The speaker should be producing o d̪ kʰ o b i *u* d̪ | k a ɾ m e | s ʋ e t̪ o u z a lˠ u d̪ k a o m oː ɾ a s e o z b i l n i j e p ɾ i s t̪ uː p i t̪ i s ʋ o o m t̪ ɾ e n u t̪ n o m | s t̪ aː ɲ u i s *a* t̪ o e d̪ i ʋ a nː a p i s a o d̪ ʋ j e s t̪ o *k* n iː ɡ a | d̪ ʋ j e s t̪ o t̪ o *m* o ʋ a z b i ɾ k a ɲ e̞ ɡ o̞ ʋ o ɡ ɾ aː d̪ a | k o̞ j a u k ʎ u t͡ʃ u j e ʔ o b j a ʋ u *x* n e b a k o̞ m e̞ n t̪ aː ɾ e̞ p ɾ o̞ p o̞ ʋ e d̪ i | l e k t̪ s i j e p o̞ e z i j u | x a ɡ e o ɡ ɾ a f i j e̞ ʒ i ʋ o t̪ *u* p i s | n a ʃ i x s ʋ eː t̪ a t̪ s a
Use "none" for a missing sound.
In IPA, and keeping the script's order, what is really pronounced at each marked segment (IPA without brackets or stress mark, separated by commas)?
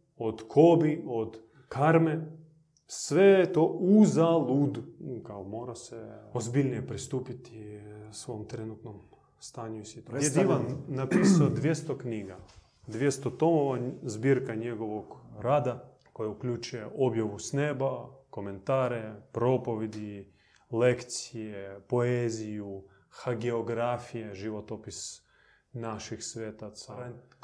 o, i, k, m, s, o